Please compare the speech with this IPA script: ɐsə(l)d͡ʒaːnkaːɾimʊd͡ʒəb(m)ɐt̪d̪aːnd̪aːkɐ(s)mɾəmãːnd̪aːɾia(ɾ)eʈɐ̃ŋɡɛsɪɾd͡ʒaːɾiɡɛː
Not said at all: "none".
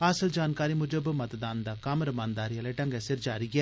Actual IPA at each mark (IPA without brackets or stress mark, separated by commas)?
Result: l, m, none, l